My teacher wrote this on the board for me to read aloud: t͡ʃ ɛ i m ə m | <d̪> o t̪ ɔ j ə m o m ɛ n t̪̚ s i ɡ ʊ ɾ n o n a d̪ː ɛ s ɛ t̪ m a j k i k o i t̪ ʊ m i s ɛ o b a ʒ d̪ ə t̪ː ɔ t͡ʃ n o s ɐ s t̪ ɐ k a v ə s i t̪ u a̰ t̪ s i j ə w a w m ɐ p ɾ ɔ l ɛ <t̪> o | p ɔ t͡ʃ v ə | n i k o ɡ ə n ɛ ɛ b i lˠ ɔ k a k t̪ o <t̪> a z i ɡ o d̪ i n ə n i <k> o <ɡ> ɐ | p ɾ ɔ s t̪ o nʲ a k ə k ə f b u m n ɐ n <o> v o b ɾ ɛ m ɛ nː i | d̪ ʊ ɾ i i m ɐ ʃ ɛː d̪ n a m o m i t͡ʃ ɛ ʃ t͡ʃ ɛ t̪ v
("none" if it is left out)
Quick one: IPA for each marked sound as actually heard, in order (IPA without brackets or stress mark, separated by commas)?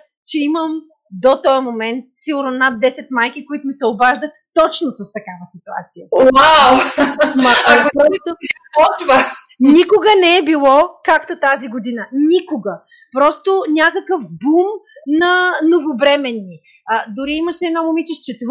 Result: d̪, t̪, t̪, k, ɡ, o